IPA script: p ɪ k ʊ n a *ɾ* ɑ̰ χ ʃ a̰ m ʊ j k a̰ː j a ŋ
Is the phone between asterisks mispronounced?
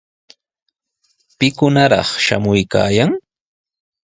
no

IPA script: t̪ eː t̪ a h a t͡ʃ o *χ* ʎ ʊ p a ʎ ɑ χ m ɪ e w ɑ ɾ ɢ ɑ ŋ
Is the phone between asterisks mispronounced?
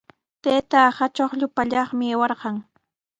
no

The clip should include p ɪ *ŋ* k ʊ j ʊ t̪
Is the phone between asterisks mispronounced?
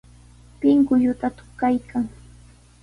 no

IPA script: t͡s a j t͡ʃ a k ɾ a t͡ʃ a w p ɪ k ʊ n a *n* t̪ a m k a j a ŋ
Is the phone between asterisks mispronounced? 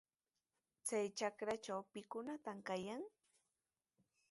yes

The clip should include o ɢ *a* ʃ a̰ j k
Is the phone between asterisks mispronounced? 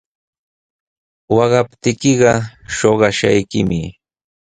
yes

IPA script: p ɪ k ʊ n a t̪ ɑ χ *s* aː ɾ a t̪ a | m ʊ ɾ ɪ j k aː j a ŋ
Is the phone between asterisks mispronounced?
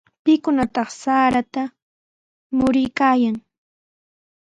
no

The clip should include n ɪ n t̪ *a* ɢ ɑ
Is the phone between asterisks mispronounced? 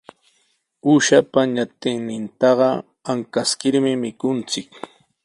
yes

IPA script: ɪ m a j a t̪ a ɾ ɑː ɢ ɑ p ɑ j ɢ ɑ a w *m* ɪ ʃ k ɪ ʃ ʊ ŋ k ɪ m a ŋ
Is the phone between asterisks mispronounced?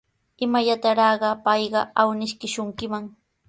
yes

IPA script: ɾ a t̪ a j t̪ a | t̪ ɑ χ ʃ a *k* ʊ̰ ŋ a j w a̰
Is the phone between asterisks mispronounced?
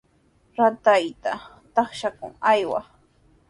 no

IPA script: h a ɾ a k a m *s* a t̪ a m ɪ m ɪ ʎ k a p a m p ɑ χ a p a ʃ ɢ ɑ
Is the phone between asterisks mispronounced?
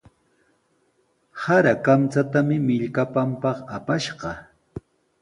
yes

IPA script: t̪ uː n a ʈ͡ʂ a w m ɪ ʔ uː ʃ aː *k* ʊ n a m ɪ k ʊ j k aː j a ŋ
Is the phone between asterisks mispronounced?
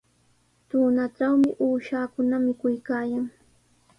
no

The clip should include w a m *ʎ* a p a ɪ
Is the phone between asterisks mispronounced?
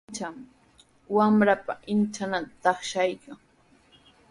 yes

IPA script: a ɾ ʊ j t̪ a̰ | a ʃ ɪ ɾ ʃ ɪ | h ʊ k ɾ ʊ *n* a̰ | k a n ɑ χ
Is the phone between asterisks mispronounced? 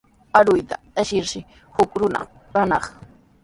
no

